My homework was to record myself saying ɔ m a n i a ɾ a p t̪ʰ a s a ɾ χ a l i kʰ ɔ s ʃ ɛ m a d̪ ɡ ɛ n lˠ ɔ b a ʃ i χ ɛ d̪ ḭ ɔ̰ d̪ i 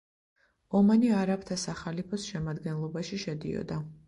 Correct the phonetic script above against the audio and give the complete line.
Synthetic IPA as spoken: ɔ m a n i a ɾ a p t̪ʰ a s a χ a l i pʰ ɔ s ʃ ɛ m a d̪ ɡ ɛ n lˠ ɔ b a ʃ i ʃ ɛ d̪ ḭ ɔ̰ d̪ a